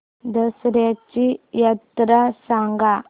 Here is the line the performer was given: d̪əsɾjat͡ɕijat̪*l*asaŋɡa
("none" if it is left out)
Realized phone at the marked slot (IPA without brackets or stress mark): ɾ